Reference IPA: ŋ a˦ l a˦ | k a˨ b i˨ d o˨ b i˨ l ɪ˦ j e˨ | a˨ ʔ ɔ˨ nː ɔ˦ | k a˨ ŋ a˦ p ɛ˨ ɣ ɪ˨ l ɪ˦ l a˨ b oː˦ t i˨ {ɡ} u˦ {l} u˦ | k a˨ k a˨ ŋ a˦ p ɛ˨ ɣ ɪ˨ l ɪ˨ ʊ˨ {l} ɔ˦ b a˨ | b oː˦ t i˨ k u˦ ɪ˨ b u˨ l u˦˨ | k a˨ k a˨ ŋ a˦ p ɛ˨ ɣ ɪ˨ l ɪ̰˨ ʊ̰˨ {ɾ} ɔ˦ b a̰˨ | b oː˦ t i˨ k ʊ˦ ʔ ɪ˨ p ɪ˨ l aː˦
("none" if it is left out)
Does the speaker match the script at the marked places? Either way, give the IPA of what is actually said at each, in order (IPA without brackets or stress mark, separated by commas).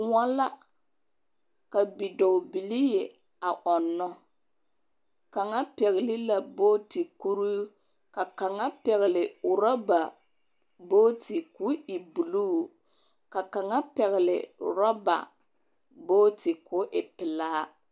k, ɾ, ɾ, ɾ